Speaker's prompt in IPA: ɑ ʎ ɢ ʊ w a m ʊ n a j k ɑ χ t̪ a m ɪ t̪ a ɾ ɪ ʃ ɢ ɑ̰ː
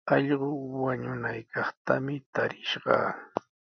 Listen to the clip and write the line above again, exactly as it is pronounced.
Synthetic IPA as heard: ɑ ʎ ɢ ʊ w a ɲ ʊ n a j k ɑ χ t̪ a m ɪ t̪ a ɾ ɪ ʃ ɢ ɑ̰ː